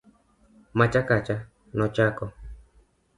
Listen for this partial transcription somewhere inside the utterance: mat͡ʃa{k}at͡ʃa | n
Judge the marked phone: correct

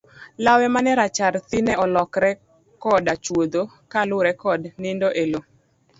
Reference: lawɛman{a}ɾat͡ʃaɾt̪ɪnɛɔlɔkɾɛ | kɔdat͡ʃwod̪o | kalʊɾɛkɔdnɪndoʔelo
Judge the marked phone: incorrect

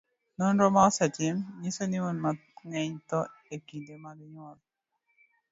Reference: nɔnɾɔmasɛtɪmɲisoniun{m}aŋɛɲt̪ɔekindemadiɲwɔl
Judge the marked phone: correct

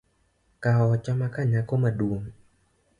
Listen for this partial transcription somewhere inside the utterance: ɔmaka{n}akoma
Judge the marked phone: incorrect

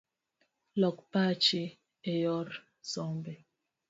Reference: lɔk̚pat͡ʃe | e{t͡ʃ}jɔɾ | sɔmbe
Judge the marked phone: incorrect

